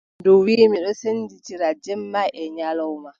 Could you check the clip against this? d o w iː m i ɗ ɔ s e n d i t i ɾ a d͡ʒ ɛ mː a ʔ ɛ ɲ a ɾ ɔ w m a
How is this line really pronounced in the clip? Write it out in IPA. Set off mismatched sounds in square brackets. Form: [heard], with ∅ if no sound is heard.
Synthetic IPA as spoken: d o w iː m i ɗ ɔ s e n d i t i ɾ a d͡ʒ ɛ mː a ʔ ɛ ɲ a [l] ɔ w m a